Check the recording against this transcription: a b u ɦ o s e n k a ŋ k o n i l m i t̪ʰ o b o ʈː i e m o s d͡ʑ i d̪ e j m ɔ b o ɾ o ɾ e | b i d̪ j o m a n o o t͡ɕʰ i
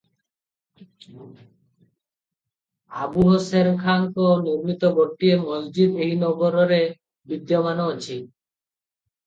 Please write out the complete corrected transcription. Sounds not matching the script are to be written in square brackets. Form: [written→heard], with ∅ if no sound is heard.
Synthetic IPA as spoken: a b u ɦ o s e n [k→kʰ] a ŋ k o n i [l→ɾ] m i [t̪ʰ→t̪] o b o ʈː i e m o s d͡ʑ i d̪ e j [m→n] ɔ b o ɾ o ɾ e | b i d̪ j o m a n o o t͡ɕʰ i